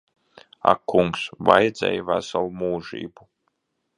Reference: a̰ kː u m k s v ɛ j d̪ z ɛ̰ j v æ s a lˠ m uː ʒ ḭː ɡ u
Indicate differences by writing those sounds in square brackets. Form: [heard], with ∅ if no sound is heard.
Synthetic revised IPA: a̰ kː u [ŋ] k s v [a] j d̪ z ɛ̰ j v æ s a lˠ m uː ʒ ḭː [b] u

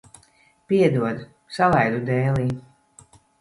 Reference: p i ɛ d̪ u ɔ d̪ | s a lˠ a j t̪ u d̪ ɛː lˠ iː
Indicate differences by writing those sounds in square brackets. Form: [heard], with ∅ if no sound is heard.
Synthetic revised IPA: p i ɛ d̪ u ɔ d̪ | s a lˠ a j [d̪] u d̪ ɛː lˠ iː

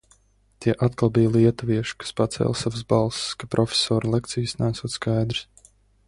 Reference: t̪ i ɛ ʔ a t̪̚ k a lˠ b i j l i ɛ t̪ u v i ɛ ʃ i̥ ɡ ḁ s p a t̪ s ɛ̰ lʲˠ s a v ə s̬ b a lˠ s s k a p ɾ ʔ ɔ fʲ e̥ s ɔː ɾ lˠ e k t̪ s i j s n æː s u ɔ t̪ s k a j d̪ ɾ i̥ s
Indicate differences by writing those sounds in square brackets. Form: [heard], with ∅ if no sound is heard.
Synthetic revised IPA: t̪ i ɛ ʔ a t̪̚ k a lˠ b i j l i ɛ t̪ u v i ɛ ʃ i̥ [k] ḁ s p a t̪ s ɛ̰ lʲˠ s a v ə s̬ b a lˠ s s k a p ɾ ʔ ɔ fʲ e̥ s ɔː ɾ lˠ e k t̪ s i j s n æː s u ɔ t̪ s k a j d̪ ɾ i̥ s

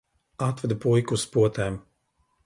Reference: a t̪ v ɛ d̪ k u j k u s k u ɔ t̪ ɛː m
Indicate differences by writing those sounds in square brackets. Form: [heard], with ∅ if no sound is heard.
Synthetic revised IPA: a t̪ v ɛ d̪ [p] u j k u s [p] u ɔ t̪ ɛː m

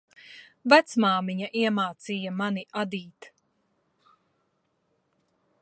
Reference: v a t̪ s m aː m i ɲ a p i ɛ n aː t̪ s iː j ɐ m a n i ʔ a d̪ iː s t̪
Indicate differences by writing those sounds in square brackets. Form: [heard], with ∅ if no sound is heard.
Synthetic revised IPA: v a t̪ s m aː m i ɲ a [ʔ] i ɛ [m] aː t̪ s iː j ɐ m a n i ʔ a d̪ iː [∅] t̪

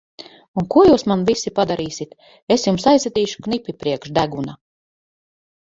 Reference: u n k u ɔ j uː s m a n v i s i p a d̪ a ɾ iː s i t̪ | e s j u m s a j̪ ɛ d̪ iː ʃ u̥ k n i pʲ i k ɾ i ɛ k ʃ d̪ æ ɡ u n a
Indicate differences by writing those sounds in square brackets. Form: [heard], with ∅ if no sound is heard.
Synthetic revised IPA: u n k u ɔ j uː s m a n v i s i p a d̪ a ɾ iː s i t̪ | e s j u m s a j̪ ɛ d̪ iː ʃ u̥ k n i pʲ i [p] ɾ i ɛ k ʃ d̪ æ ɡ u n a

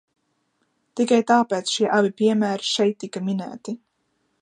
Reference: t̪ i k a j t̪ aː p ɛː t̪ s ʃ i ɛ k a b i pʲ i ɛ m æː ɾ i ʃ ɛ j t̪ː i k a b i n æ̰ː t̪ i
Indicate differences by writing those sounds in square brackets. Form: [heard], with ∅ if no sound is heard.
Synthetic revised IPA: t̪ i k a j t̪ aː p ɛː t̪ s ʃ i ɛ [ʔ] a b i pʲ i ɛ m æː ɾ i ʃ ɛ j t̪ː i k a [m] i n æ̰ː t̪ i

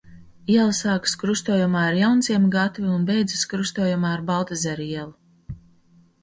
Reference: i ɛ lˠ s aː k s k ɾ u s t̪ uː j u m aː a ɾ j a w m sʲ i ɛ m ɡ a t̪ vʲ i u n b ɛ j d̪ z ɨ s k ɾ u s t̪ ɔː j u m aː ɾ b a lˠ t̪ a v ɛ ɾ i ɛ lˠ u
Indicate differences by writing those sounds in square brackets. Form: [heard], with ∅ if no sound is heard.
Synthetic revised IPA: i ɛ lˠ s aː k s k ɾ u s t̪ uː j u m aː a ɾ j a w [n] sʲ i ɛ m ɡ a t̪ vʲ i u n b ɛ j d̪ z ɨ s k ɾ u s t̪ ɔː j u m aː ɾ b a lˠ t̪ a [z] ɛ ɾ i ɛ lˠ u

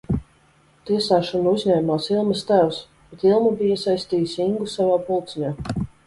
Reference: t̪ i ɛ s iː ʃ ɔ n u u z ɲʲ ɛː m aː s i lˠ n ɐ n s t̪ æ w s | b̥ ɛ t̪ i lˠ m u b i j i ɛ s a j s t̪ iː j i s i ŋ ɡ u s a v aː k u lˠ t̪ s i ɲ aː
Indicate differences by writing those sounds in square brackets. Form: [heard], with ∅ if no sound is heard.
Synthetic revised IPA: t̪ i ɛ s [aː] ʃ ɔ n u u z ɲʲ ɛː m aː s i lˠ [m] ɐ [∅] s t̪ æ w s | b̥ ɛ t̪ i lˠ m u b i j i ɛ s a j s t̪ iː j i s i ŋ ɡ u s a v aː [p] u lˠ t̪ s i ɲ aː

